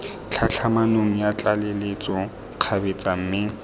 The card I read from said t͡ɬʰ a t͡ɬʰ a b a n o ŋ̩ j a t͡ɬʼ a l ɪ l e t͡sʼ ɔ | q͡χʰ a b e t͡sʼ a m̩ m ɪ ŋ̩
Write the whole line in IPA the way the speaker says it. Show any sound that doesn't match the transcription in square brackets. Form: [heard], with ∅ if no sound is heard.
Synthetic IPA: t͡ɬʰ a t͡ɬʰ a [m] a n o ŋ̩ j a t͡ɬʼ a l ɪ l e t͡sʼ ɔ | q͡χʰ a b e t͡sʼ a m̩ m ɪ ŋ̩